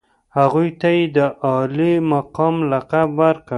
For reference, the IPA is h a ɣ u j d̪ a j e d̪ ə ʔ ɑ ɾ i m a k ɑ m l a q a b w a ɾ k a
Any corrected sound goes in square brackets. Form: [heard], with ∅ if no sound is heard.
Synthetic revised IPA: h a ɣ u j [t̪] a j e d̪ ə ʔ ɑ [l] i m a [q] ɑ m l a q a b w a ɾ k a